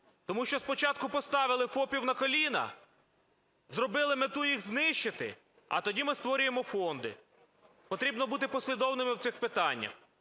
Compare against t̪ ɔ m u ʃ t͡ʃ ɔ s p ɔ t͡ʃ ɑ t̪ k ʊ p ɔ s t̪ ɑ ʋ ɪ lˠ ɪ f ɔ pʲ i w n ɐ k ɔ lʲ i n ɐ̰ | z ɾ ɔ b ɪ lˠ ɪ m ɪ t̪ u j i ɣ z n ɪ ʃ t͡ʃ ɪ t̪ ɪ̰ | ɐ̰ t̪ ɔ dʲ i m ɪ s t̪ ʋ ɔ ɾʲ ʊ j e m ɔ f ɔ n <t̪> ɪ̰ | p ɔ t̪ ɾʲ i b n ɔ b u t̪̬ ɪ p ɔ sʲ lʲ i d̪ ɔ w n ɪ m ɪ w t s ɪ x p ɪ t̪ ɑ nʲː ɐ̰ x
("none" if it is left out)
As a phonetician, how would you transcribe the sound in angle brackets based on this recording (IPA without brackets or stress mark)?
d̪